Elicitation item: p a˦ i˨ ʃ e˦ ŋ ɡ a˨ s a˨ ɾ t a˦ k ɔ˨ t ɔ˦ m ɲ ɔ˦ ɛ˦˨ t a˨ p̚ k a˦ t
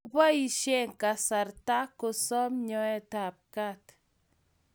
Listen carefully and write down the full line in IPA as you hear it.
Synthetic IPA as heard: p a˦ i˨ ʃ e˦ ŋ k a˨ s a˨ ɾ t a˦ k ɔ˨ s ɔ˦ m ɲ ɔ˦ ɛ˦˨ t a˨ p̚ k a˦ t